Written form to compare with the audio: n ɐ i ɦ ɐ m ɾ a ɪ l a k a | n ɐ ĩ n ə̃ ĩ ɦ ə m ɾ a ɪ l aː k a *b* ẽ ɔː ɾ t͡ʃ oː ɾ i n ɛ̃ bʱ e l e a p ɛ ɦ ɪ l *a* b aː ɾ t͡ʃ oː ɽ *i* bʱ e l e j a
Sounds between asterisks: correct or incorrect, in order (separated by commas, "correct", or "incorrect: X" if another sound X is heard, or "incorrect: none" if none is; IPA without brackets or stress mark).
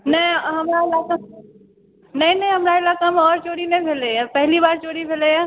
incorrect: m, incorrect: i, correct